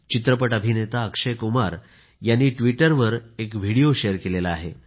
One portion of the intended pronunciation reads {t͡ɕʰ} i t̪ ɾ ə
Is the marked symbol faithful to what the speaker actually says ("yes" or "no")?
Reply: no